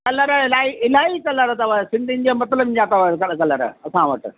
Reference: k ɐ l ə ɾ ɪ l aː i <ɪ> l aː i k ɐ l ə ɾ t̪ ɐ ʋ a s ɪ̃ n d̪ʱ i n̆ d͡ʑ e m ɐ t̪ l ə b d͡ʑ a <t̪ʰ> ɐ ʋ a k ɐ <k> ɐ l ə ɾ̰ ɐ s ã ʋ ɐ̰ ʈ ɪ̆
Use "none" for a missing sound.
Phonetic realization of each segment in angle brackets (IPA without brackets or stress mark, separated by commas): ɪ, t̪, k